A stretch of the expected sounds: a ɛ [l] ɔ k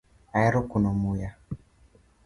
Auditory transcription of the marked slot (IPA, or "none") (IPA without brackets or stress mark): ɾ